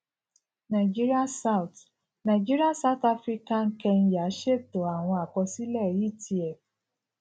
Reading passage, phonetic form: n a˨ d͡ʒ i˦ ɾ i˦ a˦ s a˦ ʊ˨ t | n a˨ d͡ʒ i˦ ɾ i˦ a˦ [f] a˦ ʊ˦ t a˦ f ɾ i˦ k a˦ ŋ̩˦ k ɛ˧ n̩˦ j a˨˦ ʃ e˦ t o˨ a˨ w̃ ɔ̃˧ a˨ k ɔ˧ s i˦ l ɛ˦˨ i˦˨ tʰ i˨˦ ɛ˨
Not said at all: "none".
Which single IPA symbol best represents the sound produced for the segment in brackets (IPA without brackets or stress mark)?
s